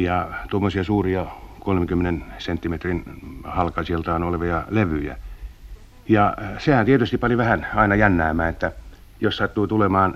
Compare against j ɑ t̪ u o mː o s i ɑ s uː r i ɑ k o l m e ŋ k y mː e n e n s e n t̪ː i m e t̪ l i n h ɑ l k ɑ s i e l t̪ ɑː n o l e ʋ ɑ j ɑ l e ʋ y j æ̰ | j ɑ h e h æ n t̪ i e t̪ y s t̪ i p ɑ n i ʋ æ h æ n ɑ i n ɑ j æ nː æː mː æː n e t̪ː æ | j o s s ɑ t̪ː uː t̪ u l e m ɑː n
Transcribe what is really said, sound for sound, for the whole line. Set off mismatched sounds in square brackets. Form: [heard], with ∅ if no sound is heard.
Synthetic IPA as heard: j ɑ t̪ u o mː o s i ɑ s uː r i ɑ k o l m e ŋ k y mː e n e n s e n t̪ː i m e t̪ [r] i n h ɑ l k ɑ s i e l t̪ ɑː n o l e ʋ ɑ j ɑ l e ʋ y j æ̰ | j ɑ [s] e h æ n t̪ i e t̪ y s t̪ i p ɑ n i ʋ æ h æ n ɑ i n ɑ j æ nː æː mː æː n e t̪ː æ | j o s s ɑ t̪ː uː t̪ u l e m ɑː n